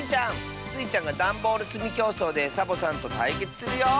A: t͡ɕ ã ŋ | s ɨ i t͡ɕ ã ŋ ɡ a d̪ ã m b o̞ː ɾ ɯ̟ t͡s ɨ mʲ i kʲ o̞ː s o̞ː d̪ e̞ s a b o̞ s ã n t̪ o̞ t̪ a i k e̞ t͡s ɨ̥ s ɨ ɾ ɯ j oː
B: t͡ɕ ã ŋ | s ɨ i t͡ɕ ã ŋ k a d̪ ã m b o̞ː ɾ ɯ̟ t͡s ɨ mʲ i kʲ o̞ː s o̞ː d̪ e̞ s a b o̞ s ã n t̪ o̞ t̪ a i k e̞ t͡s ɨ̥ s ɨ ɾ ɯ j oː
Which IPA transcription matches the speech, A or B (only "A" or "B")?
A